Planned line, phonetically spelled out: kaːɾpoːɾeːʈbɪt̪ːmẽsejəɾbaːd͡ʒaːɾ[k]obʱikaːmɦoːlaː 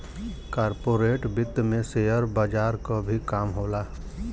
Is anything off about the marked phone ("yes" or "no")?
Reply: no